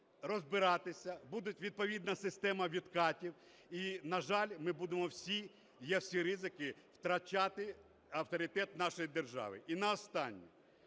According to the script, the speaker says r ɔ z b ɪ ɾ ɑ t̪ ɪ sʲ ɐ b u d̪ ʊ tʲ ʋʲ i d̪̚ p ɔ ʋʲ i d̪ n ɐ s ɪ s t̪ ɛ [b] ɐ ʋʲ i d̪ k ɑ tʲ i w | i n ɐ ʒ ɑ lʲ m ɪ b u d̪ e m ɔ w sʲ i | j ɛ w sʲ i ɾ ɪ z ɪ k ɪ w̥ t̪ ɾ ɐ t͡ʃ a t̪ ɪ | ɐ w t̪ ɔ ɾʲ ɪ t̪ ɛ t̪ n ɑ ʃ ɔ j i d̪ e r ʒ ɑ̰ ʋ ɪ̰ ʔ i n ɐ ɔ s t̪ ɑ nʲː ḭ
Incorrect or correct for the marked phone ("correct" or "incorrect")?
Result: incorrect